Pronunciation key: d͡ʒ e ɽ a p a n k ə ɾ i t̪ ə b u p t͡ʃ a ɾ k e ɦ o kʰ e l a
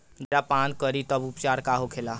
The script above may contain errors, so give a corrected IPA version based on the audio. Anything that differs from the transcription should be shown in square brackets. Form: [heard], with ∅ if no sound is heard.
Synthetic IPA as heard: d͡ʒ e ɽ a p a n k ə ɾ i t̪ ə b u p t͡ʃ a ɾ k [a] ɦ o kʰ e l a